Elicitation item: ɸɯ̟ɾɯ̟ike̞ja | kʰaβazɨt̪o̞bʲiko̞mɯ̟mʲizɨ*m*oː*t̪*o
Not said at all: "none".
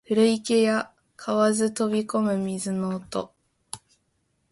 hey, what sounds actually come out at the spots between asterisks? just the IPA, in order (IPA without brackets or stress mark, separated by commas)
n, t̪